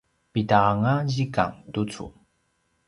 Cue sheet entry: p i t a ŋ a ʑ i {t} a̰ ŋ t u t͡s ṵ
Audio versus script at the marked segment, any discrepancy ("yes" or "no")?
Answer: yes